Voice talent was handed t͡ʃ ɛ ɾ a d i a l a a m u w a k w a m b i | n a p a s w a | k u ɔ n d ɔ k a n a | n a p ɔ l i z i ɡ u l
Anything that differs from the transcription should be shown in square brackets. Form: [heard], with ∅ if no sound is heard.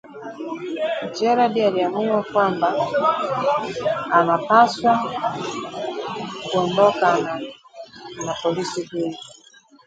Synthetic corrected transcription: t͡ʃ ɛ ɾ a d i a l [i] a m u w a k w a m b [a] | n a p a s w a | k u ɔ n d ɔ k a n a | n a p ɔ l i [s] i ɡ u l